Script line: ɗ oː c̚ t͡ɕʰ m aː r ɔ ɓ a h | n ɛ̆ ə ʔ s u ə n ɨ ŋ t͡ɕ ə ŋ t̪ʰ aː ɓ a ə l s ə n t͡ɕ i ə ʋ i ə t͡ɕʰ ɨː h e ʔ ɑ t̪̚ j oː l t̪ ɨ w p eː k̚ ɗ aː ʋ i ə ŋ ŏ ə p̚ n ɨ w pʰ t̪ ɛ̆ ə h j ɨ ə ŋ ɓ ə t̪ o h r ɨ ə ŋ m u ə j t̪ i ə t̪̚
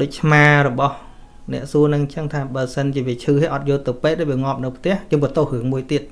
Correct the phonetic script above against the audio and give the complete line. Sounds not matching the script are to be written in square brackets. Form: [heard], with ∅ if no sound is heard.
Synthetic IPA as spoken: ɗ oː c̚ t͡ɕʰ m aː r ɔ ɓ [ɑ] h | n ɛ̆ ə ʔ s u ə n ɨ ŋ t͡ɕ ə ŋ t̪ʰ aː ɓ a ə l s ə n t͡ɕ i ə ʋ i ə t͡ɕʰ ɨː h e ʔ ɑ t̪̚ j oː l t̪ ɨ w p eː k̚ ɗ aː ʋ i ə ŋ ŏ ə p̚ n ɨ w pʰ t̪ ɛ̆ ə h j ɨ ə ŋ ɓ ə t̪ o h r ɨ ə ŋ m u ə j t̪ i ə t̪̚